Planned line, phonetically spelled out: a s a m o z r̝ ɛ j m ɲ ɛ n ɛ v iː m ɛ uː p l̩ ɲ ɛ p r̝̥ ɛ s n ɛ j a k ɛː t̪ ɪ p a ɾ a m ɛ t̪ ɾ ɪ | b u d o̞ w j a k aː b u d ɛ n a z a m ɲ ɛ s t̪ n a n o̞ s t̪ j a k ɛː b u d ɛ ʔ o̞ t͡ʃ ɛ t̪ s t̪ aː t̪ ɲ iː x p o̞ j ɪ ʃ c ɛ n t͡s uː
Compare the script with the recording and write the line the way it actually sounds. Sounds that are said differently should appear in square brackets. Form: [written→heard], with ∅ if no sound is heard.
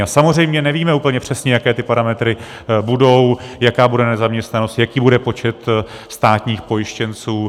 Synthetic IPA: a s a m o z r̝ ɛ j m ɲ ɛ n ɛ v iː m ɛ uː p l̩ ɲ ɛ p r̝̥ ɛ s [n→ɲ] ɛ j a k ɛː t̪ ɪ p a ɾ a m ɛ t̪ ɾ ɪ | b u d o̞ w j a k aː b u d ɛ n [a→ɛ] z a m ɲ ɛ s t̪ n a n o̞ s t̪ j a k [ɛː→iː] b u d ɛ [ʔ→p] o̞ t͡ʃ ɛ t̪ s t̪ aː t̪ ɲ iː x p o̞ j ɪ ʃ c ɛ n t͡s uː

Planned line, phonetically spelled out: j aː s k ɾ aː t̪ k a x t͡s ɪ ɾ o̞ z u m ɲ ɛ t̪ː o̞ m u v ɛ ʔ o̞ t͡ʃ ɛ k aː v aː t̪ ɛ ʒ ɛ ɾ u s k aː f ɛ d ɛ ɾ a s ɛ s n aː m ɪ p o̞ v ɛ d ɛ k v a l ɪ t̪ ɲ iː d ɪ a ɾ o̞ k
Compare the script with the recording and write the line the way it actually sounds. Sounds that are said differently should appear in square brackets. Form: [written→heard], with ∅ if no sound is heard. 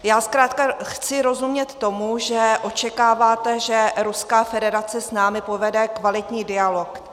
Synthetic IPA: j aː s k ɾ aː t̪ k a x t͡s ɪ ɾ o̞ z u m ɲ ɛ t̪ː o̞ m u [v→ʒ] ɛ ʔ o̞ t͡ʃ ɛ k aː v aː t̪ ɛ ʒ ɛ ɾ u s k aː f ɛ d ɛ ɾ a [s→t͡s] ɛ s n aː m ɪ p o̞ v ɛ d ɛ k v a l ɪ t̪ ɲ iː d ɪ a [ɾ→l] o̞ k

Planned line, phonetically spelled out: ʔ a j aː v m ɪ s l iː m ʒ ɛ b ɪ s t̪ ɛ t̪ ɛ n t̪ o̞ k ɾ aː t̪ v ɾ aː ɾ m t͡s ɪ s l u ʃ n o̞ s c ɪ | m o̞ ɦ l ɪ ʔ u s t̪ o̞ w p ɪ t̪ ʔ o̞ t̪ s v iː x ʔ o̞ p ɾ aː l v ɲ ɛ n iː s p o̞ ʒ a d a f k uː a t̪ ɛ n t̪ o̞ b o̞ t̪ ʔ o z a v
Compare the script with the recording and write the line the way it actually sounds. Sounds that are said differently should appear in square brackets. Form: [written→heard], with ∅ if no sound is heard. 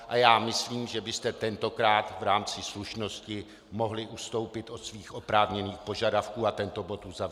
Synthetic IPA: ʔ a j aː [v→∅] m ɪ s l iː m ʒ ɛ b ɪ s t̪ ɛ t̪ ɛ n t̪ o̞ k ɾ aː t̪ v ɾ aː [ɾ→∅] m t͡s ɪ s l u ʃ n o̞ s c ɪ | m o̞ ɦ l ɪ ʔ u s t̪ o̞ w p ɪ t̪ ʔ o̞ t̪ s v iː x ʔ o̞ p ɾ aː [l→∅] v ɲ ɛ n iː [s→x] p o̞ ʒ a d a f k uː a t̪ ɛ n t̪ o̞ b o̞ t̪ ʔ [o→u] z a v

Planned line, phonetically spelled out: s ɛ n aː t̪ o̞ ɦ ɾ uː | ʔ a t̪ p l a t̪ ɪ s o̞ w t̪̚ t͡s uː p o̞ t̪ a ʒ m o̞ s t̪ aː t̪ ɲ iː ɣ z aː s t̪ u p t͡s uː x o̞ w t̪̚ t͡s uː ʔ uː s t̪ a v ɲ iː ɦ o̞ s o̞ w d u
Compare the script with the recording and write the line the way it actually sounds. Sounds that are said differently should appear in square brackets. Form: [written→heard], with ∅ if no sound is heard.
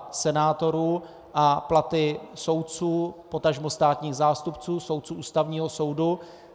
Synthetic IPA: s ɛ n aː t̪ o̞ [ɦ→∅] ɾ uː | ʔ a [t̪→∅] p l a t̪ ɪ s o̞ w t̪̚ t͡s uː p o̞ t̪ a ʒ m o̞ s t̪ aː t̪ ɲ iː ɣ z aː s t̪ u p t͡s uː [x→s] o̞ w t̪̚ t͡s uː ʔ uː s t̪ a v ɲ iː ɦ o̞ s o̞ w d u

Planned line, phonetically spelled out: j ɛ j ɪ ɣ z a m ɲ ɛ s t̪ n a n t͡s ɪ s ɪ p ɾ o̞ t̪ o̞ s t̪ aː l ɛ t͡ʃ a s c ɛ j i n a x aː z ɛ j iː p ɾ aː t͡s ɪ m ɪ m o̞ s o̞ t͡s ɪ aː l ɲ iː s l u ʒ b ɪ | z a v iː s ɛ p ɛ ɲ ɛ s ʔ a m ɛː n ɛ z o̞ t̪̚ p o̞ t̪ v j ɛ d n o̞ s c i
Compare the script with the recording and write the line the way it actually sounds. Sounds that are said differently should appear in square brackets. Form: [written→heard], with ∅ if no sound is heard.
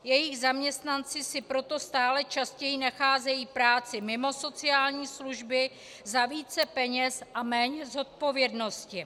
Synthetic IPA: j ɛ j ɪ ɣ z a m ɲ ɛ s t̪ n a n t͡s ɪ s ɪ p ɾ o̞ t̪ o̞ s t̪ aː l ɛ t͡ʃ a s c ɛ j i n a x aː z ɛ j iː p ɾ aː t͡s ɪ m ɪ m o̞ s o̞ t͡s ɪ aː l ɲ iː s l u ʒ b ɪ | z a v iː [s→t͡s] ɛ p ɛ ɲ ɛ s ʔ a m ɛː [n→ɲ] ɛ z o̞ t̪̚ p o̞ [t̪→∅] v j ɛ d n o̞ s c [i→ɪ]

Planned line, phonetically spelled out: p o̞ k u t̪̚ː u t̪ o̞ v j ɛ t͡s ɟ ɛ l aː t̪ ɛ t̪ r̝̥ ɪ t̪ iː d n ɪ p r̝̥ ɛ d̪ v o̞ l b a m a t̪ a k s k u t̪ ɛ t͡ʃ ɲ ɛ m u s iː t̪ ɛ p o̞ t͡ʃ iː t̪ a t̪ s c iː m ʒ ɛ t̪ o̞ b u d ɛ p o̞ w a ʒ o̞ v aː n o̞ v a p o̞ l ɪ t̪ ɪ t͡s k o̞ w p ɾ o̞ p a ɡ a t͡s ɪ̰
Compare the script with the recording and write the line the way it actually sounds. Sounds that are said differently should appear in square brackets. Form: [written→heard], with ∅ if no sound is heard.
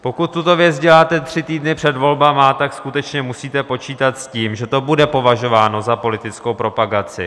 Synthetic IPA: p o̞ k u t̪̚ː u t̪ o̞ v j ɛ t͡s ɟ ɛ l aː t̪ ɛ t̪ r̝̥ ɪ t̪ iː d n ɪ p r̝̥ ɛ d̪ v o̞ l b a m a t̪ a k s k u t̪ ɛ t͡ʃ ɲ ɛ m u s iː t̪ ɛ p o̞ t͡ʃ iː t̪ a t̪ s c iː m ʒ ɛ t̪ o̞ b u d ɛ p o̞ [w→v] a ʒ o̞ v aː n o̞ [v→z] a p o̞ l ɪ t̪ ɪ t͡s k o̞ w p ɾ o̞ p a ɡ a t͡s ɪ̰

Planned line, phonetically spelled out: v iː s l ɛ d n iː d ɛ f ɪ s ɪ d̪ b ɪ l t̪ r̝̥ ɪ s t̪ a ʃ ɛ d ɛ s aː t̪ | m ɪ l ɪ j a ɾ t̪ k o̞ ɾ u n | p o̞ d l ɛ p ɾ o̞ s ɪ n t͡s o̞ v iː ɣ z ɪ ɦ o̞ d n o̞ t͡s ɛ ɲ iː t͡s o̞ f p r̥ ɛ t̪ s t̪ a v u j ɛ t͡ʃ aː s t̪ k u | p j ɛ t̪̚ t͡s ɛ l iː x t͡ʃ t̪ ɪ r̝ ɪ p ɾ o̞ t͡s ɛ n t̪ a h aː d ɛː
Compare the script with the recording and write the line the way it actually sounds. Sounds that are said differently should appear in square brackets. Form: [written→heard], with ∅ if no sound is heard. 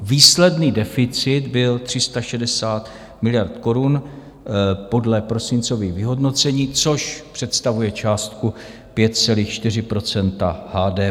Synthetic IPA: v iː s l ɛ d n iː d ɛ f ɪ [s→t͡s] ɪ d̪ b ɪ l t̪ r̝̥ ɪ s t̪ a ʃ ɛ d ɛ s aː t̪ | m ɪ l ɪ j a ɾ t̪ k o̞ ɾ u n | p o̞ d l ɛ p ɾ o̞ s ɪ n t͡s o̞ v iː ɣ [z→v] ɪ ɦ o̞ d n o̞ t͡s ɛ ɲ iː t͡s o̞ [f→ʃ] p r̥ ɛ t̪ s t̪ a v u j ɛ t͡ʃ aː s t̪ k u | p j ɛ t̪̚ t͡s ɛ l iː x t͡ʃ t̪ ɪ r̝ ɪ p ɾ o̞ t͡s ɛ n t̪ a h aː d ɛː

